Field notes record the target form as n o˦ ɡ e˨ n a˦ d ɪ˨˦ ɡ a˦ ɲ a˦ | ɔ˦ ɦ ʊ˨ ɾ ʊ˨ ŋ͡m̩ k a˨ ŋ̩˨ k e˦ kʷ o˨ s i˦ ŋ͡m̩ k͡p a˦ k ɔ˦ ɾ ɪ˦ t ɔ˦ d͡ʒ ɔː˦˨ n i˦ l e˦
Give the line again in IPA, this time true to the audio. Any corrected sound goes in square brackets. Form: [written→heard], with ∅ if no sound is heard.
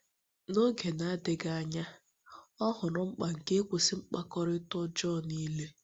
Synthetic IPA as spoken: n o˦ ɡ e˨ n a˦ d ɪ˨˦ ɡ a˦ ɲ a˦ | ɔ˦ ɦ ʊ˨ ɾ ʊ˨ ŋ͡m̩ [k→k͡p] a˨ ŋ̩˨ k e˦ kʷ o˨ s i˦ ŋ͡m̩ k͡p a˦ k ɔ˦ ɾ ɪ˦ t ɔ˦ d͡ʒ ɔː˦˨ n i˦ l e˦